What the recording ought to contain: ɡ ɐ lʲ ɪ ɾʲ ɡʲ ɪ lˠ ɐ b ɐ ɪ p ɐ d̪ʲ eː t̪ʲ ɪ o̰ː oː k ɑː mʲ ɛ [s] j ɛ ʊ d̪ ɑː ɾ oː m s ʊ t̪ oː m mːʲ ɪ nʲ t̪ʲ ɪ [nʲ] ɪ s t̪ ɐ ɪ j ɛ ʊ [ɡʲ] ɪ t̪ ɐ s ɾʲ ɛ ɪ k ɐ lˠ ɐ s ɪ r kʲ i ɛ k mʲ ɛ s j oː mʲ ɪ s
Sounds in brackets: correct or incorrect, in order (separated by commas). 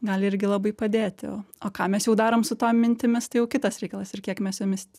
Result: correct, incorrect, incorrect